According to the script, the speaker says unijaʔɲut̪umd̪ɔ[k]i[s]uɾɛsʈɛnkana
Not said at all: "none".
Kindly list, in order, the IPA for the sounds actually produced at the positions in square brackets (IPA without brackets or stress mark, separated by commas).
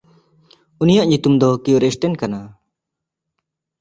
k, none